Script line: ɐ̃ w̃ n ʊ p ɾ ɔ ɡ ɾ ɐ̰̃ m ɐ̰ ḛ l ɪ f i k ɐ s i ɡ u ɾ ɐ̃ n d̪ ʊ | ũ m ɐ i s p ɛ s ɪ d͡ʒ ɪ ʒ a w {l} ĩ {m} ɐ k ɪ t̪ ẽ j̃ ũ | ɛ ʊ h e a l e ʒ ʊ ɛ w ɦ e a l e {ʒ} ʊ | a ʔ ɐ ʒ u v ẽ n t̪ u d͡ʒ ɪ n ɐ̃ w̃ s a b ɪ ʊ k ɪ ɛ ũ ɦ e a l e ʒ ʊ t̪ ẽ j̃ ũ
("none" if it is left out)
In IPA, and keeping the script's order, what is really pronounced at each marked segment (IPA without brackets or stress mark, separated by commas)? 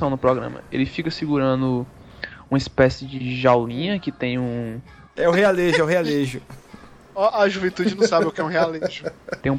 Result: l, ɲ, ʒ